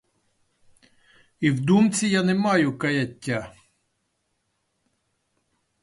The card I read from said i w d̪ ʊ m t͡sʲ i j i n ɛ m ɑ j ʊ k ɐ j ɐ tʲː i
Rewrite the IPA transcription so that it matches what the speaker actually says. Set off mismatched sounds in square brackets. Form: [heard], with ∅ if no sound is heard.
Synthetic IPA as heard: i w d̪ [u] m t͡sʲ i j [a] n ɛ m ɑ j ʊ k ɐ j ɐ tʲː [a]